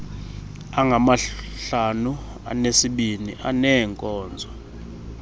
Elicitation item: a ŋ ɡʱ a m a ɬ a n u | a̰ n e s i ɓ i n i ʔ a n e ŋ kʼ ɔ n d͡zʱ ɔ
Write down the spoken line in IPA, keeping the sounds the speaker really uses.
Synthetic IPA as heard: a ŋ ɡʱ a m a ɬ a n u | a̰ n e s i ɓ i n i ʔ a n ɛ ŋ kʼ ɔː n d͡zʱ ɔ